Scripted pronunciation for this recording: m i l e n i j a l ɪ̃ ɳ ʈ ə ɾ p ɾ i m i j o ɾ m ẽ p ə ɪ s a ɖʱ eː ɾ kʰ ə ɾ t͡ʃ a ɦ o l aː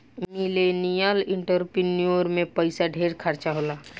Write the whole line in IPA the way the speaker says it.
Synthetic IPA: m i l e n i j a l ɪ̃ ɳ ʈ ə ɾ p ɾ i n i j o ɾ m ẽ p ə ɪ s a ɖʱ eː ɾ kʰ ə ɾ t͡ʃ a ɦ o l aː